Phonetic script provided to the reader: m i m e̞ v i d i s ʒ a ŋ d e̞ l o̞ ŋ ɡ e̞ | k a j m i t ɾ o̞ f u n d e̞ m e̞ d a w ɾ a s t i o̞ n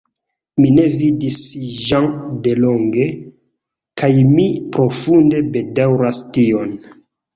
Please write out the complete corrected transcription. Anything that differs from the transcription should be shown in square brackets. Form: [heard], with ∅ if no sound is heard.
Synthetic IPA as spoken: m i [n] e̞ v i d i s ʒ a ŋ d e̞ l o̞ ŋ ɡ e̞ | k a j m i [p] ɾ o̞ f u n d e̞ [b] e̞ d a w ɾ a s t i o̞ n